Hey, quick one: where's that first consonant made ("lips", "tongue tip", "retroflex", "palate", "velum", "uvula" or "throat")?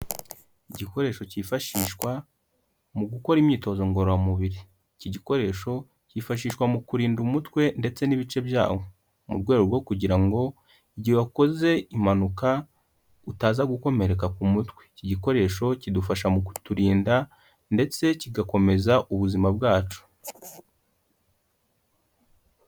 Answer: palate